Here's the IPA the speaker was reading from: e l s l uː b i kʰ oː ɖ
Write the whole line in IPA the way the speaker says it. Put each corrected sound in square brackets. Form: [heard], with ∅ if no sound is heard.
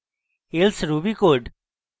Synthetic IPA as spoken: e l s [ɾ] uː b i [k] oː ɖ